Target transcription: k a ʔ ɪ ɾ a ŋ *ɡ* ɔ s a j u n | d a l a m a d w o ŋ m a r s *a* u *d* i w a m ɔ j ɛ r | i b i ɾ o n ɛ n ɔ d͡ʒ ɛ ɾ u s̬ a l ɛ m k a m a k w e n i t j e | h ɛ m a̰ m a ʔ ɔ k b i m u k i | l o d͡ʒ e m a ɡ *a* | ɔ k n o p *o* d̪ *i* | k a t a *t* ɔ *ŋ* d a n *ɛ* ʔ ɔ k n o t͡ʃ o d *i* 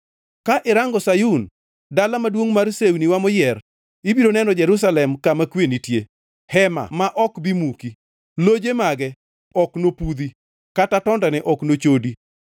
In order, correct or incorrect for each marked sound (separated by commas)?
correct, incorrect, incorrect, incorrect, incorrect, correct, correct, incorrect, correct, correct